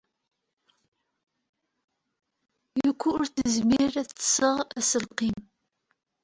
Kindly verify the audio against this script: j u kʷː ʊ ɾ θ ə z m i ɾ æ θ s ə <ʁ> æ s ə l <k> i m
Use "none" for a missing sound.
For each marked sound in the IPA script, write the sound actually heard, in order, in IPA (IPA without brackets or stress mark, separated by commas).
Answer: ʁ, q